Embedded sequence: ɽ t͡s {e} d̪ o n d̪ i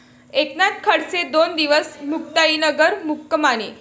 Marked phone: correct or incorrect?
correct